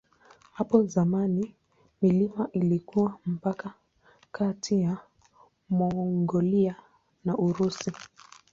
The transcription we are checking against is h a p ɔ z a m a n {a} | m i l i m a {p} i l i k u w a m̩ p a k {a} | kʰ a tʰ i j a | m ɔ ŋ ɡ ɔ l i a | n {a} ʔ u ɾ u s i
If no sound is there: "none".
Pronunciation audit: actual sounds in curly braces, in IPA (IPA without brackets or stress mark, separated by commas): i, ʔ, a, a